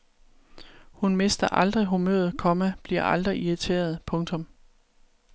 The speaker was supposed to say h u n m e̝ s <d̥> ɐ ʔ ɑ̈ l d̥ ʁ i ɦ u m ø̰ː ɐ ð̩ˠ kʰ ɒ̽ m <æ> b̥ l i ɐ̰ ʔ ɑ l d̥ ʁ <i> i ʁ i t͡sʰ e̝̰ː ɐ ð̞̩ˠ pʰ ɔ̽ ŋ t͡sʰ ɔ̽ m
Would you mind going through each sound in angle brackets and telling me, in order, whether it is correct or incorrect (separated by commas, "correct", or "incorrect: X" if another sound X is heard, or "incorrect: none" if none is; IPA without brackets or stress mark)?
correct, correct, correct